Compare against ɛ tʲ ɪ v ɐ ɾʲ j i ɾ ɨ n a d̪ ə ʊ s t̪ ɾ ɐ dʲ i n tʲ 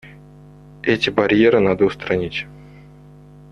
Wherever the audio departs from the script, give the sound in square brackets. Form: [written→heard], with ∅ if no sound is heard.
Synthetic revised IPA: ɛ tʲ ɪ [v→b] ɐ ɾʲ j [i→e] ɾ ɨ n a d̪ ə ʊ s t̪ ɾ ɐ [dʲ→nʲ] i [n→∅] tʲ

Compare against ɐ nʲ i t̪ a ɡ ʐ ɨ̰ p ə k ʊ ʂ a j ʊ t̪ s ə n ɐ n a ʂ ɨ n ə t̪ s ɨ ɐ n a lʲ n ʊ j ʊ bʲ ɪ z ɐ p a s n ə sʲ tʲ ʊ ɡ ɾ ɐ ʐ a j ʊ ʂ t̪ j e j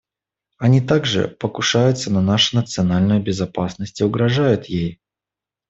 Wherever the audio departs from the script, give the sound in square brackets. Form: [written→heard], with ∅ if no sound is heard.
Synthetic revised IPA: ɐ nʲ i t̪ a ɡ ʐ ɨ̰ p ə k ʊ ʂ a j ʊ t̪ s ə n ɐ n a ʂ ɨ n ə t̪ s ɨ ɐ n a lʲ n ʊ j ʊ bʲ ɪ z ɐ p a s n ə sʲ tʲ ʊ ɡ ɾ ɐ ʐ a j ʊ [ʂ→∅] t̪ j e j

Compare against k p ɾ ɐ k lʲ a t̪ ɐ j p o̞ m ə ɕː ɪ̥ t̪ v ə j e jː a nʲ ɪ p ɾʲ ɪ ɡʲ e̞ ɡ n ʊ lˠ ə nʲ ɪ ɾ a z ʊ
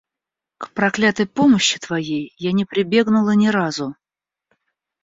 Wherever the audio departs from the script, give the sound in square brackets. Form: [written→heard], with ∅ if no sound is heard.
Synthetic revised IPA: k p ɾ ɐ k lʲ a t̪ [ɐ→ə] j p o̞ m ə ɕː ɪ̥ t̪ v [ə→ɐ] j e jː a nʲ ɪ p ɾʲ ɪ [ɡʲ→bʲ] e̞ ɡ n ʊ lˠ ə nʲ ɪ ɾ a z ʊ

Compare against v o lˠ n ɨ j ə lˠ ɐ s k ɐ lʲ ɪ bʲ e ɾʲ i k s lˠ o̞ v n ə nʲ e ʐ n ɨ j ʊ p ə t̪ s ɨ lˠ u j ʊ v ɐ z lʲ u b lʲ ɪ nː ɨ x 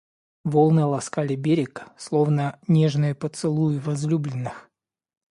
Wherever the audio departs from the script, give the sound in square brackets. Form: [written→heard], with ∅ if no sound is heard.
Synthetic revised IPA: v o lˠ n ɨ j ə lˠ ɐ s k [ɐ→a] lʲ ɪ bʲ e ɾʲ [i→ɪ] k s lˠ o̞ v n ə nʲ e ʐ n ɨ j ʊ p ə t̪ s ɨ lˠ u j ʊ v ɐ z lʲ u b lʲ ɪ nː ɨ x

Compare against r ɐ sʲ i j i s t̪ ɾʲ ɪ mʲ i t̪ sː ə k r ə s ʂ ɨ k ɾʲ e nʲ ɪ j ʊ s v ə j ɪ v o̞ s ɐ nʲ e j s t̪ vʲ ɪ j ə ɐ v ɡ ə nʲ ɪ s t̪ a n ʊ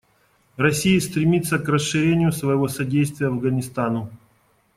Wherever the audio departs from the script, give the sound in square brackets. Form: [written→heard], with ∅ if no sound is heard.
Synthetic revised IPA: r ɐ sʲ i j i s t̪ ɾʲ ɪ mʲ i t̪ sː ə k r ə s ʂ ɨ [k→∅] ɾʲ e nʲ ɪ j ʊ s v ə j ɪ v o̞ s ɐ [nʲ→dʲ] e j s t̪ vʲ ɪ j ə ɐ v ɡ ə nʲ ɪ s t̪ a n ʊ

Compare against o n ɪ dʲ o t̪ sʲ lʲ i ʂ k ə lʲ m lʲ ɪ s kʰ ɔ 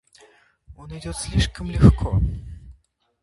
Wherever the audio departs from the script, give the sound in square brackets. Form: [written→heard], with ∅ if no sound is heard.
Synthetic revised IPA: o n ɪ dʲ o t̪ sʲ lʲ i ʂ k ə [lʲ→∅] m lʲ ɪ [s→x] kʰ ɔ

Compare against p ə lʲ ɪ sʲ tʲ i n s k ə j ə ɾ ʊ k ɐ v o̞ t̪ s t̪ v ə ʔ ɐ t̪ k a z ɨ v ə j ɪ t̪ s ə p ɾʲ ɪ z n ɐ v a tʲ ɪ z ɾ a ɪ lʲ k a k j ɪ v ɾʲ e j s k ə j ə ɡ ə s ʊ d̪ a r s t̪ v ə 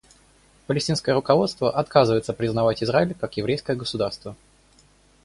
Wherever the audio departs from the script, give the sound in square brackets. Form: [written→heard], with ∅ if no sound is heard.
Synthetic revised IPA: p ə lʲ ɪ sʲ tʲ i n s k ə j ə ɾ ʊ k ɐ v o̞ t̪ s t̪ v ə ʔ ɐ t̪ k a z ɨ v ə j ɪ t̪ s ə p ɾʲ ɪ z n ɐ v a tʲ ɪ z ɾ a ɪ lʲ k a k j ɪ v ɾʲ e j s k ə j ə ɡ ə s ʊ d̪ a r s t̪ v ə

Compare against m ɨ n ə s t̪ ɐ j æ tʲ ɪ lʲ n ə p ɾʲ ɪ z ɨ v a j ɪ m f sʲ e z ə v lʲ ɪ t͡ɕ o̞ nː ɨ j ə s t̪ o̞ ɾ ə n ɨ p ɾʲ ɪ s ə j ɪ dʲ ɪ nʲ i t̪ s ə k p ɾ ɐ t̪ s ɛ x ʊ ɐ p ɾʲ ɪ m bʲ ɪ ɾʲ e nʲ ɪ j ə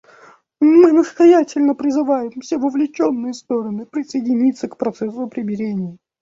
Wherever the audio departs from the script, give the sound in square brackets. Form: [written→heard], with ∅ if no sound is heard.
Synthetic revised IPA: m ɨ n ə s t̪ ɐ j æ tʲ ɪ lʲ n ə p ɾʲ ɪ z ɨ v a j ɪ m f sʲ e [z→v] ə v lʲ ɪ t͡ɕ o̞ nː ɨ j ə s t̪ o̞ ɾ ə n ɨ p ɾʲ ɪ s ə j ɪ dʲ ɪ nʲ i t̪ s ə k p ɾ ɐ t̪ s ɛ [x→s] ʊ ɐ p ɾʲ ɪ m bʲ ɪ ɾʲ e nʲ ɪ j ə

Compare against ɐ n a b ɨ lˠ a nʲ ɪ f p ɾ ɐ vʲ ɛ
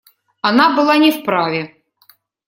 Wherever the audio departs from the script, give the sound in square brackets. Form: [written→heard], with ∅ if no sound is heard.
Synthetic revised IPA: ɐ n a b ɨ lˠ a nʲ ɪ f p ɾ [ɐ→a] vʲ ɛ

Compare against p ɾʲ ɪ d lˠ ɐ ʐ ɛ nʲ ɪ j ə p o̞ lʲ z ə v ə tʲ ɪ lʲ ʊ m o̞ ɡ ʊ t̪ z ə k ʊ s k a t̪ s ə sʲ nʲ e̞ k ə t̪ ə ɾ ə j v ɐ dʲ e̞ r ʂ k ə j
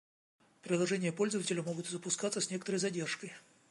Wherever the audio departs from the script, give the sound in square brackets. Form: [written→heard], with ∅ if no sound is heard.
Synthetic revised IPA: p ɾʲ ɪ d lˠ ɐ ʐ ɛ nʲ ɪ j ə p o̞ lʲ z ə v ə tʲ ɪ lʲ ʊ m o̞ ɡ ʊ t̪ z ə [k→p] ʊ s k a t̪ s ə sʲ nʲ e̞ k ə t̪ ə ɾ ə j [v→z] ɐ dʲ e̞ r ʂ k ə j

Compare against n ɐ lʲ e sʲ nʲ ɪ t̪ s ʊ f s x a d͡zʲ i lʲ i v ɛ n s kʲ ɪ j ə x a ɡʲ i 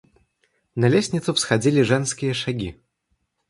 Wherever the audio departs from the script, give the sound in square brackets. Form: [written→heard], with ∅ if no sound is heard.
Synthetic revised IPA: n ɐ lʲ e sʲ nʲ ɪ t̪ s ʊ f s x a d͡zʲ i lʲ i [v→ʐ] ɛ n s kʲ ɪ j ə [x→ʂ] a ɡʲ i

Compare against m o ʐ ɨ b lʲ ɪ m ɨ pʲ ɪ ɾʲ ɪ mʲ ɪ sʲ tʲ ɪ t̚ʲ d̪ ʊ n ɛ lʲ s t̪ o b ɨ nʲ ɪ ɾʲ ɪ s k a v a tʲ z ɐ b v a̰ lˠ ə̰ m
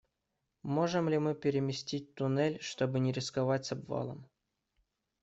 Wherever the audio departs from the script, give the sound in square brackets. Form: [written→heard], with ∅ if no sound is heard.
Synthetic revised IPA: m o ʐ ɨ [b→m] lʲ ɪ m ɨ pʲ ɪ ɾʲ ɪ mʲ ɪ sʲ tʲ [ɪ→i] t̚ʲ [d̪→t̪] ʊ n ɛ lʲ [s→ʂ] t̪ o b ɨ nʲ ɪ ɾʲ ɪ s k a v a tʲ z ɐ b v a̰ lˠ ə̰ m

